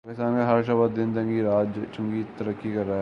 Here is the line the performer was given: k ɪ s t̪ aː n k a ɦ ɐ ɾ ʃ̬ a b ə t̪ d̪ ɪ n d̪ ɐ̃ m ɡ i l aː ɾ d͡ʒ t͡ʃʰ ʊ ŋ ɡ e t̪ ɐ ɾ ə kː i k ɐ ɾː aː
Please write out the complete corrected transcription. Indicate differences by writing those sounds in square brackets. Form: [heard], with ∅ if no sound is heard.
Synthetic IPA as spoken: k ɪ s t̪ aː n k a ɦ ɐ ɾ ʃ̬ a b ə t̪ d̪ ɪ n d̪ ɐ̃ [ŋ] ɡ i [ɾ] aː [∅] d͡ʒ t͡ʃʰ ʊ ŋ ɡ [i] t̪ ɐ ɾ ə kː i k ɐ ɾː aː

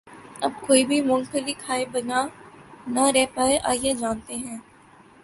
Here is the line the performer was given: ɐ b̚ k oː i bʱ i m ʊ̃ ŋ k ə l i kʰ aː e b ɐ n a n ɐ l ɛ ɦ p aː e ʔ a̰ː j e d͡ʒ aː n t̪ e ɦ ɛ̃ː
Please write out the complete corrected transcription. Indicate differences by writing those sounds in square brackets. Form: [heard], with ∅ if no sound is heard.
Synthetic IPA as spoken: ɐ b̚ k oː i bʱ i m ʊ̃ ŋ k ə l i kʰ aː e b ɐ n a n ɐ [ɾ] ɛ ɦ p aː e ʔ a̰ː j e d͡ʒ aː n t̪ e ɦ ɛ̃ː

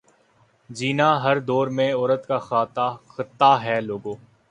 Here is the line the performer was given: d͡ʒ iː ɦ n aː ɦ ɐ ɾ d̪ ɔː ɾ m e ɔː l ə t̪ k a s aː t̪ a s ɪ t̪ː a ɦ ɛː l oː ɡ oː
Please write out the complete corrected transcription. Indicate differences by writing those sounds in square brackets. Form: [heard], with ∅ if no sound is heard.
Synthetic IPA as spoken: d͡ʒ iː [∅] n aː ɦ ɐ ɾ d̪ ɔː ɾ m [ẽ] ɔː [ɾ] ə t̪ k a [x] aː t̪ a [x] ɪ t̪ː a ɦ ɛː l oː ɡ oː

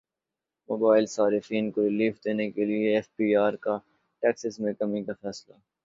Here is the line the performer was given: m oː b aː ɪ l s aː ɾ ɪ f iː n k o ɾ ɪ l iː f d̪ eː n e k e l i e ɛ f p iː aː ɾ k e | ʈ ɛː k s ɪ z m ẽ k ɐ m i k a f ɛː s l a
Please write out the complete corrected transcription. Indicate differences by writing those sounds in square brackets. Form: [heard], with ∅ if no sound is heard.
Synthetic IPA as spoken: m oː b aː ɪ l s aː ɾ ɪ f iː n k o ɾ ɪ l iː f d̪ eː n e k e l i e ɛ f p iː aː ɾ k [a] | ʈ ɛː k s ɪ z m ẽ k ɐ m i k a f ɛː s l a

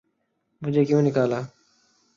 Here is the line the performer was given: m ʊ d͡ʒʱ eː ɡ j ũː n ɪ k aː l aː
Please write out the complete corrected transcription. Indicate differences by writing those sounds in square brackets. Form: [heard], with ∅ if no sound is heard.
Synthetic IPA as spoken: m ʊ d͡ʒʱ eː [k] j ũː n ɪ k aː l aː

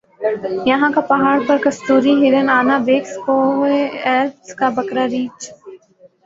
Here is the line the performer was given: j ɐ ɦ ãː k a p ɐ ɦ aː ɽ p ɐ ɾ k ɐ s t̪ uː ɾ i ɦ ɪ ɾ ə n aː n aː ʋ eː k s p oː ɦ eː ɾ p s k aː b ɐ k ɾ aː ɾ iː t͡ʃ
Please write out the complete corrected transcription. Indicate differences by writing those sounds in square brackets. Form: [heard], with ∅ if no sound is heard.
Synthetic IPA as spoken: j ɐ ɦ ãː k a p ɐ ɦ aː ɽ p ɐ ɾ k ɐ s t̪ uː ɾ i ɦ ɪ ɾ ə n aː n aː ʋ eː k s p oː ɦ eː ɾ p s k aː b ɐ k ɾ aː ɾ iː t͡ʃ

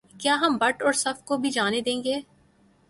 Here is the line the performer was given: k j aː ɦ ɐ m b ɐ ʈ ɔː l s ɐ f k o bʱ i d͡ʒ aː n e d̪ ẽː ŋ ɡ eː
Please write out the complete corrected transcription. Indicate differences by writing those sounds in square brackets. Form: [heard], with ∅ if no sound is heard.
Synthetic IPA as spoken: k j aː ɦ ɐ m b ɐ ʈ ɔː [ɾ] s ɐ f k o bʱ i d͡ʒ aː n e d̪ ẽː ŋ ɡ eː

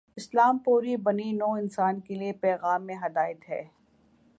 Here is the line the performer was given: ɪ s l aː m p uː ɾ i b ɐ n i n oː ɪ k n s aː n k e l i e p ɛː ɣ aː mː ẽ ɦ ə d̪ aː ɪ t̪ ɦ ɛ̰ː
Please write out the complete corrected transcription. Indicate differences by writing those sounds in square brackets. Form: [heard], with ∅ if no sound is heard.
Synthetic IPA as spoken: ɪ s l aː m p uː ɾ i b ɐ n i n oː ɪ [∅] n s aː n k e l i e p ɛː ɣ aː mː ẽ ɦ [ɐ] d̪ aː ɪ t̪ ɦ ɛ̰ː

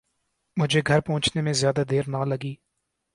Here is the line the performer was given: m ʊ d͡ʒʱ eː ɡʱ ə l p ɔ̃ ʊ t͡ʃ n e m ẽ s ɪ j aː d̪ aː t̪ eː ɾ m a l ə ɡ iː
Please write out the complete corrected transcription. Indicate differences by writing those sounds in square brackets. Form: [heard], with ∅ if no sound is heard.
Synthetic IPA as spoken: m ʊ d͡ʒʱ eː ɡʱ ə [ɾ] p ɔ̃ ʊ t͡ʃ n e m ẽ [z] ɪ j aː d̪ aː [d̪] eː ɾ [n] a l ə ɡ iː

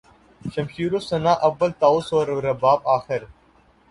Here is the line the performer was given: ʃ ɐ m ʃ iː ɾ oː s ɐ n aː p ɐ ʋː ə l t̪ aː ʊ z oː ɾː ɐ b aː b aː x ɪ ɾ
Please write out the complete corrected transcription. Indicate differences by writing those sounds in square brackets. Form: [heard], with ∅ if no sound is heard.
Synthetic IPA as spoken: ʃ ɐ m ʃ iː ɾ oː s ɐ n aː [ʔ] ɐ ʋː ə l t̪ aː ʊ [s] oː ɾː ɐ b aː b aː x ɪ ɾ

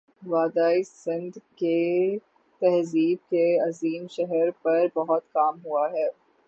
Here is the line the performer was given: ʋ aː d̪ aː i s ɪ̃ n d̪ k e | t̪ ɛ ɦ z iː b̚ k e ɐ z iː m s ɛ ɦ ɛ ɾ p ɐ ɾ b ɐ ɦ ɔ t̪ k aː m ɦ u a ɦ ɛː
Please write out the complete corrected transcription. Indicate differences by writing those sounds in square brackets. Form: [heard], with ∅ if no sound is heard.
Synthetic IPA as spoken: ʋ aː d̪ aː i s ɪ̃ n d̪ k e | t̪ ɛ ɦ z iː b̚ k e ɐ z iː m [ʃ] ɛ ɦ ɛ ɾ p ɐ ɾ b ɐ ɦ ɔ t̪ k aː m ɦ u a ɦ ɛː

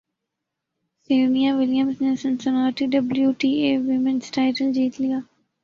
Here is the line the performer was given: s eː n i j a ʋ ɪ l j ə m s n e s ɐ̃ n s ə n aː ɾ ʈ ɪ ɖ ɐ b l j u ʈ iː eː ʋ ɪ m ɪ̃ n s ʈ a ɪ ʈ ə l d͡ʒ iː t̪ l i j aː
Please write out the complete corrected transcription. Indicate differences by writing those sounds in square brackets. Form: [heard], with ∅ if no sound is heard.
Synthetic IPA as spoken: s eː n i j a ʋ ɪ l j ə m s n e s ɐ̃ n s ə n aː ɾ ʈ [i] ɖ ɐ b l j u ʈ iː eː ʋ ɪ m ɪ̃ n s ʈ a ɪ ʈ ə l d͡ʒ iː t̪ l i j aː

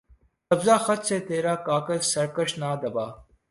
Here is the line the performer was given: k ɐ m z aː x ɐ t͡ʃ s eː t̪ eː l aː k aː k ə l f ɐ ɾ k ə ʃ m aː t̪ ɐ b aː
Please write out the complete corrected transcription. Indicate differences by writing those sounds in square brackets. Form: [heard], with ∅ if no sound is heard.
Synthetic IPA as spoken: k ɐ [b] z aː x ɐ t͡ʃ s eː t̪ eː [ɾ] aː k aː k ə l [s] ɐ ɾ k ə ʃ [n] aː [d̪] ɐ b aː

